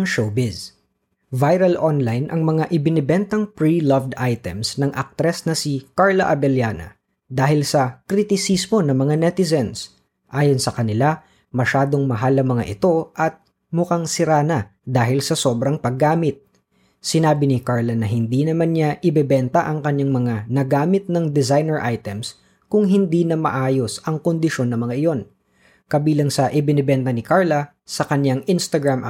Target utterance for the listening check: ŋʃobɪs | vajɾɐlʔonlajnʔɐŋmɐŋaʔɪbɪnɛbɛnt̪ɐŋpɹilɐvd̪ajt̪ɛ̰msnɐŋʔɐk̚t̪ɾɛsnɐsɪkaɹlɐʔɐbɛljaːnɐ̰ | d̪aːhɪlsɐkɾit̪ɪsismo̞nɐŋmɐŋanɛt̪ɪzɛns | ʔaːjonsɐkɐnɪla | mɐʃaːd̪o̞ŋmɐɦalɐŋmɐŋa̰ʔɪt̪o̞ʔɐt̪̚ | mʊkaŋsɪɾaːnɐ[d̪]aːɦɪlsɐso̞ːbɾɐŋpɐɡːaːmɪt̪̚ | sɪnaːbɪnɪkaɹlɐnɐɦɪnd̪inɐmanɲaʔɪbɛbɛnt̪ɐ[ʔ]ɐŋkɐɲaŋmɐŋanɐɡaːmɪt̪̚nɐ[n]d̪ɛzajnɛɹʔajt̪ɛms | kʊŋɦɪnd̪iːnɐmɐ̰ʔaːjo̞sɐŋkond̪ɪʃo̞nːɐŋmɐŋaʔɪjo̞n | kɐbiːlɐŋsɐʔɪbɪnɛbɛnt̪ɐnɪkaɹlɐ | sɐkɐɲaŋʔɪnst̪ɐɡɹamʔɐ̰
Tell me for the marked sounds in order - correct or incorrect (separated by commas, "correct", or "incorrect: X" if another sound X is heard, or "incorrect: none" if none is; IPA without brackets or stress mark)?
correct, correct, incorrect: ŋ